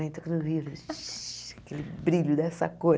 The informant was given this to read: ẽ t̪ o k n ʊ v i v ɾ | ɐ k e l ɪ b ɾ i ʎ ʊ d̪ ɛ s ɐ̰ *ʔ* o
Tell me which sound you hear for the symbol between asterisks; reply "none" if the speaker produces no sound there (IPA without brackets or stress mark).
k